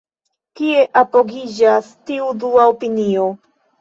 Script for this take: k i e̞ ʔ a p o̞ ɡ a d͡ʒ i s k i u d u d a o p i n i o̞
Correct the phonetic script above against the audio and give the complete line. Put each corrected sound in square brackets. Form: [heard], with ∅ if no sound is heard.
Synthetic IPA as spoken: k i e̞ ʔ a p o̞ ɡ [i] d͡ʒ [a] s [t] i u d u [∅] a o p i n i o̞